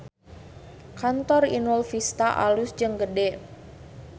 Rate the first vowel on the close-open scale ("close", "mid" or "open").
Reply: open